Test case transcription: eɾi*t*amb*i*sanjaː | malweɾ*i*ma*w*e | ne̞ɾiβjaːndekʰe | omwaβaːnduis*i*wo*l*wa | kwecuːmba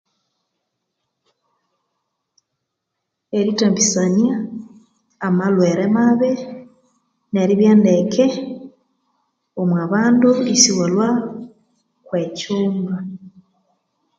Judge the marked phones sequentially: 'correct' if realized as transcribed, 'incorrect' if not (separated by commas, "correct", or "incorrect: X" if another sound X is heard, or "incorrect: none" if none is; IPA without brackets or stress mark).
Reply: correct, correct, incorrect: e, incorrect: β, correct, correct